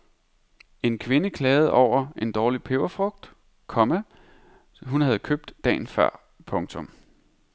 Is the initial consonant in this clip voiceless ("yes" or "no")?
no